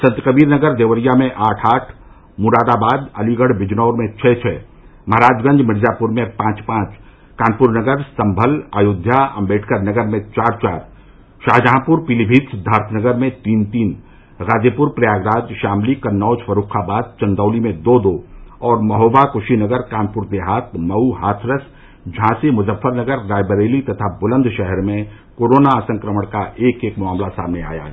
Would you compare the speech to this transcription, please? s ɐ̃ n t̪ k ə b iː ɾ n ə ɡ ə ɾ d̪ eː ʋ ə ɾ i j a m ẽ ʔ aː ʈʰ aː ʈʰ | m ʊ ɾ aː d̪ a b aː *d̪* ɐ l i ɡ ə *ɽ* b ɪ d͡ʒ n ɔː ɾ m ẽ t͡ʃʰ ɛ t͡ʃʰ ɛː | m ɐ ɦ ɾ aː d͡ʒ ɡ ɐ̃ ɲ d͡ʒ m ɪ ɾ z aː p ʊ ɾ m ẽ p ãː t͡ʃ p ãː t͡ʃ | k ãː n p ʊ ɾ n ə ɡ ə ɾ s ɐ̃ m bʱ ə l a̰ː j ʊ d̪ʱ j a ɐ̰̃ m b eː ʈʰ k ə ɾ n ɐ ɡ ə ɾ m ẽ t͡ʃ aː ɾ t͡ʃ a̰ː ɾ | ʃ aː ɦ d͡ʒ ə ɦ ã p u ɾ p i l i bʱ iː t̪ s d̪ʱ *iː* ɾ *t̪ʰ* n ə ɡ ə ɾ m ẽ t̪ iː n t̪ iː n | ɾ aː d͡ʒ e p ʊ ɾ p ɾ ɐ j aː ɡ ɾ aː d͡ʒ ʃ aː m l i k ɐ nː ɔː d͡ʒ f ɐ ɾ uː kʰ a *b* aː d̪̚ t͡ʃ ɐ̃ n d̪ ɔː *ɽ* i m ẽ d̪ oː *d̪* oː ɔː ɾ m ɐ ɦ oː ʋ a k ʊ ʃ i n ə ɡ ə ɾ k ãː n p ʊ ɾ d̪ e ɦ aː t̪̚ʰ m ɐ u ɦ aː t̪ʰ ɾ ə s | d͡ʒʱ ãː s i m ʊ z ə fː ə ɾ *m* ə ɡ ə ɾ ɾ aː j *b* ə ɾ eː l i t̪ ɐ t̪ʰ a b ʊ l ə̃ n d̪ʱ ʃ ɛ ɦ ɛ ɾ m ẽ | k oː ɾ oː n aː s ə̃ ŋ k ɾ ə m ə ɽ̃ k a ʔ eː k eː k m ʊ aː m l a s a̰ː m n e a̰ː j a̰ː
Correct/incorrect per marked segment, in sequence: correct, correct, incorrect: aː, correct, correct, incorrect: l, correct, incorrect: n, correct

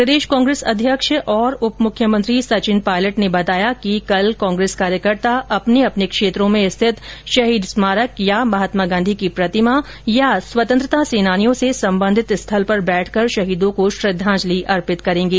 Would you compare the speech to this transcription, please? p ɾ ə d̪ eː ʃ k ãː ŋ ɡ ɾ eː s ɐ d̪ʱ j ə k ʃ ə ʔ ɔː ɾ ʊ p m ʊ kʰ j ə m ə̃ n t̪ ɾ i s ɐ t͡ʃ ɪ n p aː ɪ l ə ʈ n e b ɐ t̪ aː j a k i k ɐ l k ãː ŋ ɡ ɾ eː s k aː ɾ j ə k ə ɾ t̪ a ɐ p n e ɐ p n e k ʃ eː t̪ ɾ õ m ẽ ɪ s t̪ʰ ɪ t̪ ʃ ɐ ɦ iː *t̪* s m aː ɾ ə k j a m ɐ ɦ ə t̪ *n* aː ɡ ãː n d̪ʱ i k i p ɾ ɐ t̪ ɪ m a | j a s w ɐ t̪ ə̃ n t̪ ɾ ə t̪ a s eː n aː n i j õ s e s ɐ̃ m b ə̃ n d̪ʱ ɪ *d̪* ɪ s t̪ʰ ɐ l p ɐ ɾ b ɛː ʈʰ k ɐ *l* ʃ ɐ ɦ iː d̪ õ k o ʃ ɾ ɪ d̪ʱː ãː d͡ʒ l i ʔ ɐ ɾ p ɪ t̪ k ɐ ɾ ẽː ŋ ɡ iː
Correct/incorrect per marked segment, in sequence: incorrect: d̪, incorrect: m, incorrect: t̪, incorrect: ɾ

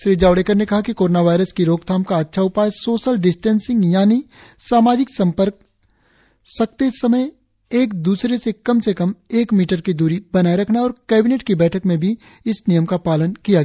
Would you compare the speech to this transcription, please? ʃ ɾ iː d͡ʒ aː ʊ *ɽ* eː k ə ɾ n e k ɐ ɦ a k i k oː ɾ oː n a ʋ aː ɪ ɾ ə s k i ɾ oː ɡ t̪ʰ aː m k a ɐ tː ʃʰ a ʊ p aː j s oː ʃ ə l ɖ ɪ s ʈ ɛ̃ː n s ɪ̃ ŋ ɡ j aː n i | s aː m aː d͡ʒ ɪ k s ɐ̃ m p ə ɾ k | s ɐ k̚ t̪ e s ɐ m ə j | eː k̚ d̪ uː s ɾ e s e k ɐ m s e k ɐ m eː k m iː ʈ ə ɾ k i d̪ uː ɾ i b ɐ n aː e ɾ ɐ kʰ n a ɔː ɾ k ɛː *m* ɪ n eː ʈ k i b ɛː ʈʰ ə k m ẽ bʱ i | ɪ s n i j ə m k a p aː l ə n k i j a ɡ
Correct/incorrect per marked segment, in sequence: correct, incorrect: b

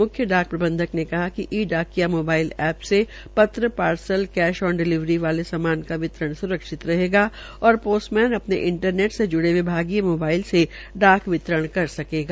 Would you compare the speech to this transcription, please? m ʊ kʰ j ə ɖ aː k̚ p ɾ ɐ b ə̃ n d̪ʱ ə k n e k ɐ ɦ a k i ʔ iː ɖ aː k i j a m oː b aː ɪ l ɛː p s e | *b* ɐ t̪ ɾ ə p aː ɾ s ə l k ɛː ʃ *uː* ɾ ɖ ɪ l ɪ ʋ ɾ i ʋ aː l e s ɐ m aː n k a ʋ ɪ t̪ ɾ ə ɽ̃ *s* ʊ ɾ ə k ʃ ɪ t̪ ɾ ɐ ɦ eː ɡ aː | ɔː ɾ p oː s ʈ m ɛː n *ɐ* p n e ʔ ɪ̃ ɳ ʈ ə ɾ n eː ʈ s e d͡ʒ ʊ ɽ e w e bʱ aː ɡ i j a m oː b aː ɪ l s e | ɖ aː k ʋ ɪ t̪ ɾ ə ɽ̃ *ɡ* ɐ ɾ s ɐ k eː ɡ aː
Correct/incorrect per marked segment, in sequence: incorrect: p, incorrect: ɔː, correct, correct, incorrect: k

